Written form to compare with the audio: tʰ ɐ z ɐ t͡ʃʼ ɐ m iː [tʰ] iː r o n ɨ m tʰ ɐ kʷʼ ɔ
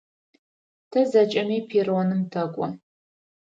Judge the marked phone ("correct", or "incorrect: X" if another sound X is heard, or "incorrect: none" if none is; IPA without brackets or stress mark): incorrect: pʰ